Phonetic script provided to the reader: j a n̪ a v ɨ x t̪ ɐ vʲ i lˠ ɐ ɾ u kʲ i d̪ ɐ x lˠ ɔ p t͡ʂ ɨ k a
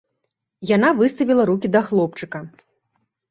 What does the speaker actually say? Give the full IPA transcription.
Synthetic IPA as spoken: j a n̪ a v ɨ s t̪ ɐ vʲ i lˠ ɐ ɾ u kʲ i d̪ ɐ x lˠ ɔ p t͡ʂ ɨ k ɐ